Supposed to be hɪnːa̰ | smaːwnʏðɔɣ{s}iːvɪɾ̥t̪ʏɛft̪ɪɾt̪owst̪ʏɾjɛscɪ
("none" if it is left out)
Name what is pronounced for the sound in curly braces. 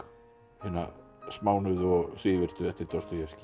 s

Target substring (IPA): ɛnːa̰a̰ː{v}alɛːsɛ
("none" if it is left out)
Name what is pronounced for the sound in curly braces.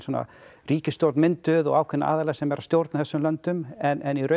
ð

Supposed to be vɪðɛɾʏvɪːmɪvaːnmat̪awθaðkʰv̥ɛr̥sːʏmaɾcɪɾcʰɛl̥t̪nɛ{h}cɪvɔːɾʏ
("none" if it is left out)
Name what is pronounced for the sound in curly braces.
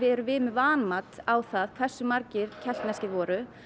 s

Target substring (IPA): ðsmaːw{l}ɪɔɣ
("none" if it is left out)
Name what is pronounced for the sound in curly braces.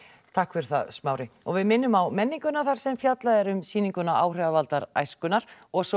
ɾ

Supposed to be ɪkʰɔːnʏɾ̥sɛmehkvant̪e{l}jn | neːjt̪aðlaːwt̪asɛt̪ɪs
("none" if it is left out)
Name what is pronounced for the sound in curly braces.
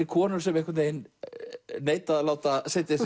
none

